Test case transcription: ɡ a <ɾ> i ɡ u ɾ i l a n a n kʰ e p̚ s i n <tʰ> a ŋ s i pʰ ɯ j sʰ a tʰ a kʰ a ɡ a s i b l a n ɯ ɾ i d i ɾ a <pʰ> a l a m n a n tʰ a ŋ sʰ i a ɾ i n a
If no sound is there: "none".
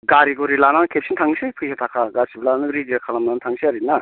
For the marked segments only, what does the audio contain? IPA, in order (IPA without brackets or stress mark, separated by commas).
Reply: ɾ, tʰ, kʰ